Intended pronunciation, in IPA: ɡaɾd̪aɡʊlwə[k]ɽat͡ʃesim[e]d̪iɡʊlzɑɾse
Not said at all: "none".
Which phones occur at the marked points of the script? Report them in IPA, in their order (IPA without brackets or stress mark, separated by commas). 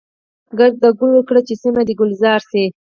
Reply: k, a